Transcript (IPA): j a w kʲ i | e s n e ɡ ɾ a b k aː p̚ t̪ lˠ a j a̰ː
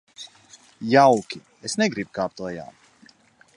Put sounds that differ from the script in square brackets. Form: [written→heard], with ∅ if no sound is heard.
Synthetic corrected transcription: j a w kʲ i | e s n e ɡ ɾ [a→i] b k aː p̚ t̪ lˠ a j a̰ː